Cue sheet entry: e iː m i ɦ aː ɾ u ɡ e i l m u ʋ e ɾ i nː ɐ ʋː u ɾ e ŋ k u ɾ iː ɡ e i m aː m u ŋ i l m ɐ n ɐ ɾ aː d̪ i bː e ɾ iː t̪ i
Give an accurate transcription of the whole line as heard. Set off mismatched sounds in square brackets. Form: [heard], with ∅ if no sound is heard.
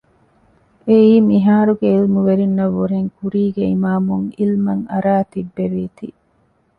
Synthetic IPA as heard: e iː m i ɦ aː ɾ u ɡ e i l m u ʋ e ɾ i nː ɐ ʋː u ɾ e ŋ k u ɾ iː ɡ e i m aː m u ŋ i l m ɐ [ŋ] ɐ ɾ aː [t̪] i bː e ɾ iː t̪ i